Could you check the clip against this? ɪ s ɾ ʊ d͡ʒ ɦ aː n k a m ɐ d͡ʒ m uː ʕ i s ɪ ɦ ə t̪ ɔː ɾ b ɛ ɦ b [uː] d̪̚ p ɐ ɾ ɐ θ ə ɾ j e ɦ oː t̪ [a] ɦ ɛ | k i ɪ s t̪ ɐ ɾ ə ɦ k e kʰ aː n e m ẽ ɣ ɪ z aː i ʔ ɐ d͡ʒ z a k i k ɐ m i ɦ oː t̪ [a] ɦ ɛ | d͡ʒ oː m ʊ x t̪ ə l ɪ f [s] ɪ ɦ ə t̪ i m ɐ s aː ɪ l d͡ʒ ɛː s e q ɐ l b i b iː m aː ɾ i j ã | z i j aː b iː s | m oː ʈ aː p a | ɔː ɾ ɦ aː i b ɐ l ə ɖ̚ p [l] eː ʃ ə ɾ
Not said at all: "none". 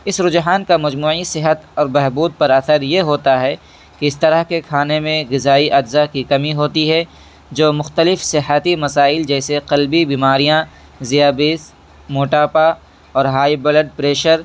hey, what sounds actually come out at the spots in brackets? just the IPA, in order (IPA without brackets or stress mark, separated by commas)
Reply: uː, a, i, s, ɾ